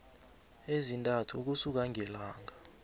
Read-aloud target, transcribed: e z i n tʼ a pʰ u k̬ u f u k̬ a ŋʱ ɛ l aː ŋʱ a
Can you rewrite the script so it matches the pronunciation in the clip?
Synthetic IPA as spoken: e z i n tʼ a tʰ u k̬ u s u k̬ a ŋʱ ɛ l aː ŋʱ a